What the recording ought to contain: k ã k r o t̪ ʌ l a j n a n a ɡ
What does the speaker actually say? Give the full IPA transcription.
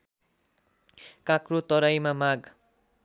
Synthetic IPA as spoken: k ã k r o t̪ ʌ ɾ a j m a m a ɡ